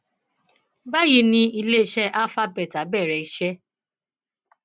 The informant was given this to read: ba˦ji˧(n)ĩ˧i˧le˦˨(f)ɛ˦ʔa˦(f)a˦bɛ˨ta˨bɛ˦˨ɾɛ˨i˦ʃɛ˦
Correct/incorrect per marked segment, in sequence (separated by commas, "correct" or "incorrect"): correct, incorrect, correct